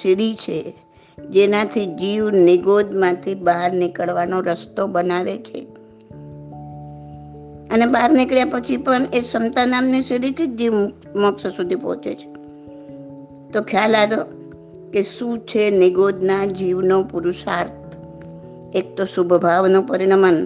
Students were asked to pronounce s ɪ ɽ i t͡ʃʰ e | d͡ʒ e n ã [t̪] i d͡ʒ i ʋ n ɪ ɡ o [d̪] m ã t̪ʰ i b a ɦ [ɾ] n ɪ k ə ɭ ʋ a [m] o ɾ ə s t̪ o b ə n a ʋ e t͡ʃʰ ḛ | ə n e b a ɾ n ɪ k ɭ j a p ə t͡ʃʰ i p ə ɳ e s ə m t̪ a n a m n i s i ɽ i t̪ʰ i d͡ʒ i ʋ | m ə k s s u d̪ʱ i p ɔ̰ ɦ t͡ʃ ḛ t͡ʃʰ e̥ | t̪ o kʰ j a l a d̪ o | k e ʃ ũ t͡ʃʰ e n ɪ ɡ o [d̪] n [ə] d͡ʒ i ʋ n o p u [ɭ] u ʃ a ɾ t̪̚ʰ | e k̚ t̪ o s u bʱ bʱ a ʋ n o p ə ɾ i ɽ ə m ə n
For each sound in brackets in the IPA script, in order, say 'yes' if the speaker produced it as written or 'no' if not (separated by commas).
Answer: no, yes, yes, no, yes, no, no